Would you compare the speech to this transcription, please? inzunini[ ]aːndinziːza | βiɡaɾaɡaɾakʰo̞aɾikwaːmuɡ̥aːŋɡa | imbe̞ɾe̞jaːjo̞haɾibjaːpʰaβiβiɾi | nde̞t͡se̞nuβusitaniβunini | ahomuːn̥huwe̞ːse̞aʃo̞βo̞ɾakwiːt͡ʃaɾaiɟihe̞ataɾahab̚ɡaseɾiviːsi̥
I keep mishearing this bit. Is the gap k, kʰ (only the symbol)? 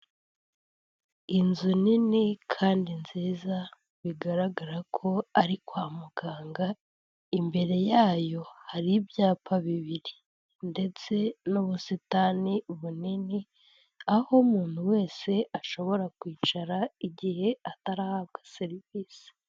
kʰ